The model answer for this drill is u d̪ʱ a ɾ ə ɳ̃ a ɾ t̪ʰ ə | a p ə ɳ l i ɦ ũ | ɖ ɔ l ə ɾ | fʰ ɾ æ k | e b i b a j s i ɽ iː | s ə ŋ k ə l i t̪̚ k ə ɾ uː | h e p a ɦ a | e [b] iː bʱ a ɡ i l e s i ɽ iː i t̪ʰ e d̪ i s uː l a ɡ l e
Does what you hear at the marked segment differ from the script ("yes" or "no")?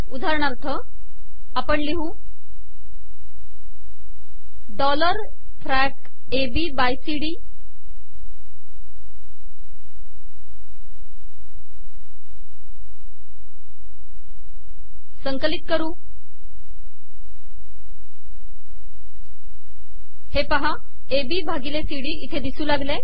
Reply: no